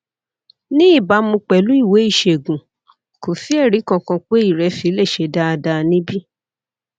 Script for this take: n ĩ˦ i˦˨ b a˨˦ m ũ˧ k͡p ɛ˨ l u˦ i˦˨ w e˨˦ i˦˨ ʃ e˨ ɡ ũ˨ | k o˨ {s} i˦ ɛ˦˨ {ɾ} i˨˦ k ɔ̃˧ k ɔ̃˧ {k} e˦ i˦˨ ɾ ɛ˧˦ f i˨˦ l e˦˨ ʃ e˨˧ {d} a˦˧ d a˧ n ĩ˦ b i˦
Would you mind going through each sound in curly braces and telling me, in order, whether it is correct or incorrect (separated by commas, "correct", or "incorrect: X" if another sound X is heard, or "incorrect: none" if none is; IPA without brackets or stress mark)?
incorrect: f, correct, incorrect: k͡p, correct